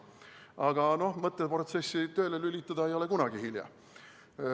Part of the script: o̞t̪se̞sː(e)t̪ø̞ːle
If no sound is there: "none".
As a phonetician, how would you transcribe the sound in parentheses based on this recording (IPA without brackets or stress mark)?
i